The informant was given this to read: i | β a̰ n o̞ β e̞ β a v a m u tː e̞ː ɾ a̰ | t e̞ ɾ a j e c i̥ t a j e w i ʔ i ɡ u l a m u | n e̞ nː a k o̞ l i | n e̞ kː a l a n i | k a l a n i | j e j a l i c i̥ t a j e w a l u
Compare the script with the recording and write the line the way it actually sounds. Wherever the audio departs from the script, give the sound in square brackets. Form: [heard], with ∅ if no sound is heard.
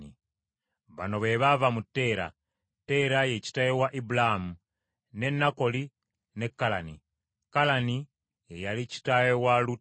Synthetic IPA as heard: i | β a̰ n o̞ β e̞ β a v a m u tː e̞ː ɾ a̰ | t e̞ ɾ a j e c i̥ t a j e w [a] ʔ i [b] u l a m u | n e̞ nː a k o̞ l i | n e̞ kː a l a n i | k a l a n i | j e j a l i c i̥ t a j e w a l u